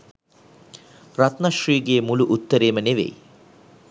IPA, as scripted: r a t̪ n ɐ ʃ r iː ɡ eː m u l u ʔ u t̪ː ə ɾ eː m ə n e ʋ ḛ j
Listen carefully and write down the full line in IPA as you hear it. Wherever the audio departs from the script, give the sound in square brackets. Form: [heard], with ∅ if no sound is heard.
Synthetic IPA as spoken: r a t̪ n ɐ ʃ r iː ɡ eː m u l u ʔ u t̪ː ə ɾ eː m ə n e ʋ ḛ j

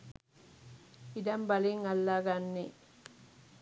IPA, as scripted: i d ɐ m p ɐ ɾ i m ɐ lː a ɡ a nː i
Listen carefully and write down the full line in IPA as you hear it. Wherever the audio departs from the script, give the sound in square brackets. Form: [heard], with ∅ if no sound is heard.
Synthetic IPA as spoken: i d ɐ m [b] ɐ [l] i [ŋ] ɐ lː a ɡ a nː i

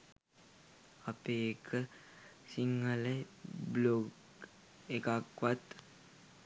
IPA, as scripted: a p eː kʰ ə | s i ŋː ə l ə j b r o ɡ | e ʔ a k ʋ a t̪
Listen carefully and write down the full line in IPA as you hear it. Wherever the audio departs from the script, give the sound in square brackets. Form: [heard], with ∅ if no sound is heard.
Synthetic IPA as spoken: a p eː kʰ ə | s i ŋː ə l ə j b [l] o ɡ | e [k] a k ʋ a t̪

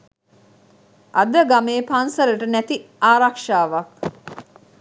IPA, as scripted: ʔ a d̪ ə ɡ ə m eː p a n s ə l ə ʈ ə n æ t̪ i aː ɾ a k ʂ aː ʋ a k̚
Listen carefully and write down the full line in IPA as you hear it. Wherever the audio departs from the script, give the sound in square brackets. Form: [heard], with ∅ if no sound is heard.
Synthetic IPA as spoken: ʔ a d̪ ə ɡ [a] m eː p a n s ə l ə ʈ ə n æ t̪ i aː ɾ a k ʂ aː ʋ a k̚

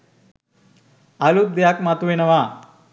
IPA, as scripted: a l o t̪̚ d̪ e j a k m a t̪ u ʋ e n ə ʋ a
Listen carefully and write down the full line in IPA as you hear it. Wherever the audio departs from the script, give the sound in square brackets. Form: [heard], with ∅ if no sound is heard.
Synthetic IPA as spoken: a l [u] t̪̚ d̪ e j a k m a t̪ u ʋ e n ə ʋ a

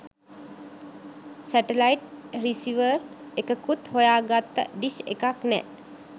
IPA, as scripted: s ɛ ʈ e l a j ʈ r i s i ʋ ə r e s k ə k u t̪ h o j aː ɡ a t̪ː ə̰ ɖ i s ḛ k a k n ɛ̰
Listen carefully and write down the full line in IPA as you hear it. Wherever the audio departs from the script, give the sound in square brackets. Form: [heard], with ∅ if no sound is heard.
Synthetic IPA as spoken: s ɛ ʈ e l a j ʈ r i s i ʋ ə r e [∅] k ə k u t̪ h o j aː ɡ a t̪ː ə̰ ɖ i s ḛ k a k n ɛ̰

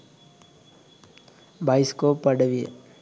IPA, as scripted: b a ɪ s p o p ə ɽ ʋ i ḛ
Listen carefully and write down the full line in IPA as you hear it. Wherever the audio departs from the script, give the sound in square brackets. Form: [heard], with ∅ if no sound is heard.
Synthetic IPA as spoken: b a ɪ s [k] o p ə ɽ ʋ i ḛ

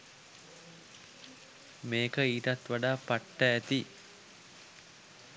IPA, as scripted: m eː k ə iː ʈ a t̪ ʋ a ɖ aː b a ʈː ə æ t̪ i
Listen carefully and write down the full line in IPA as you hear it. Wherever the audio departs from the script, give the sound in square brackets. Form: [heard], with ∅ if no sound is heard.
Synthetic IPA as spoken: m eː k ə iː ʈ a t̪ ʋ a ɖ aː [p] a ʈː ə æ t̪ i

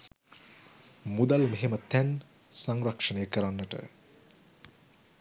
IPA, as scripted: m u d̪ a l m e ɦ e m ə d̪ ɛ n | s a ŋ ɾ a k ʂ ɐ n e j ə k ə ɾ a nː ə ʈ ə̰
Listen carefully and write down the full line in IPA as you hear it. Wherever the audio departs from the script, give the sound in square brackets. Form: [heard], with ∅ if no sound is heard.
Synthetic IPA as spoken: m u d̪ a l m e ɦ e m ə [t̪] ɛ n | s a ŋ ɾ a k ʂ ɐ n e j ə k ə ɾ a nː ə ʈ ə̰

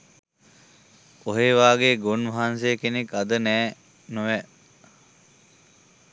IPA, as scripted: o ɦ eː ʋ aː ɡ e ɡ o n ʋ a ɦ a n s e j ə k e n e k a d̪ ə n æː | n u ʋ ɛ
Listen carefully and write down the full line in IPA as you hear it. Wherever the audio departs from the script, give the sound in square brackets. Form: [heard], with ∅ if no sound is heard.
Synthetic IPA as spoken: o ɦ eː ʋ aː ɡ e ɡ o n ʋ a ɦ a n s e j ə k e n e k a d̪ ə n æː | n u ʋ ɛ

